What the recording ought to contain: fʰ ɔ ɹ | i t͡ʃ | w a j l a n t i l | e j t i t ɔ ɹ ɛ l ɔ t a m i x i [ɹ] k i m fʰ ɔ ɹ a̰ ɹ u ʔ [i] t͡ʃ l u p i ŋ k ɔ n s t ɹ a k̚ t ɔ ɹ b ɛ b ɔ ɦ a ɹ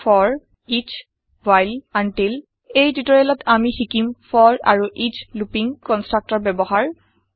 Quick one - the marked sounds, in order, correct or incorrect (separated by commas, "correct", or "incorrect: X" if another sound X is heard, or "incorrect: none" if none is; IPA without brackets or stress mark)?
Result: incorrect: none, correct